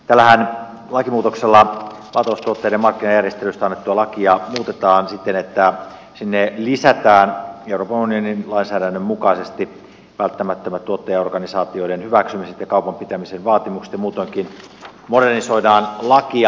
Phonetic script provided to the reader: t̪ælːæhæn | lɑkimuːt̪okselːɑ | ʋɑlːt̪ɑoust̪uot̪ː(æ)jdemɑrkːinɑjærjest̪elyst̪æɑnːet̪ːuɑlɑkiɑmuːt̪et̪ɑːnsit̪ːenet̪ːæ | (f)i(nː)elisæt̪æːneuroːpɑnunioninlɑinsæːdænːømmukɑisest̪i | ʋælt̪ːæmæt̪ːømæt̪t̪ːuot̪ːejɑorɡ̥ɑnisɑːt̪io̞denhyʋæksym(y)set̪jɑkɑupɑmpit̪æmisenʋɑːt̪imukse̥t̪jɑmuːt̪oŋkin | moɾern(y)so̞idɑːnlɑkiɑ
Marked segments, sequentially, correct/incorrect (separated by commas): incorrect, incorrect, correct, incorrect, incorrect